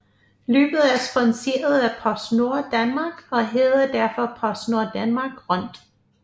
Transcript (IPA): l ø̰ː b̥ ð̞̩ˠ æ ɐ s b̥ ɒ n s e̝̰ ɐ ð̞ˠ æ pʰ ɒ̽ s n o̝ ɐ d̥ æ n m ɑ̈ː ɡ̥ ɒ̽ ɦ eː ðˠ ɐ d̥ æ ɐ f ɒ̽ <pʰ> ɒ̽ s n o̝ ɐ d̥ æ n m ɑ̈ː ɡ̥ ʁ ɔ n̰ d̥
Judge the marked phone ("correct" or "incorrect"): correct